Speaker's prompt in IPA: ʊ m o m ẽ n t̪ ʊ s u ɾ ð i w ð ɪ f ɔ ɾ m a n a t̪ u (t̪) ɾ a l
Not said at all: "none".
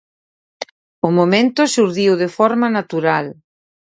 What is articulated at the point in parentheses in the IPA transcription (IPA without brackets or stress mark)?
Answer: none